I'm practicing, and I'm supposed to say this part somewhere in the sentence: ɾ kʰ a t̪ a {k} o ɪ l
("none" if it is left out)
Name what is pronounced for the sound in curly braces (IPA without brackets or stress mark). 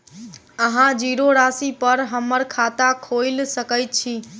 kʰ